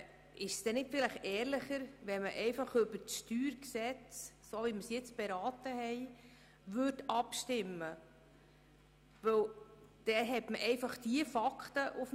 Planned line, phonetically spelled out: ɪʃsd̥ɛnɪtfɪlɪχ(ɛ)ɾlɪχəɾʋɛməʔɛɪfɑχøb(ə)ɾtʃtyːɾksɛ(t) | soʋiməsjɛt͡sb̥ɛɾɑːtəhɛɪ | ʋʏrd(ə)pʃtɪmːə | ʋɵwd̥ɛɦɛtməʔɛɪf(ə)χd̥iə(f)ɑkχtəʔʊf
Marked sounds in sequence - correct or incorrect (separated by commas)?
incorrect, correct, incorrect, incorrect, incorrect, correct